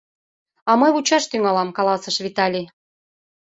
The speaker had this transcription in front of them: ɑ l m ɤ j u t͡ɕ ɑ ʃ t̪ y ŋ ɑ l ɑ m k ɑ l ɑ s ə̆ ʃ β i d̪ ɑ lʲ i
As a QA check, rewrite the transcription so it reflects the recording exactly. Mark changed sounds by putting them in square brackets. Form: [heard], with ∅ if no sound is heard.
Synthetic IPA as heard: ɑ [∅] m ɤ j u t͡ɕ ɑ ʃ t̪ y ŋ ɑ l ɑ m k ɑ l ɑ s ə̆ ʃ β i [t̪] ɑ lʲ i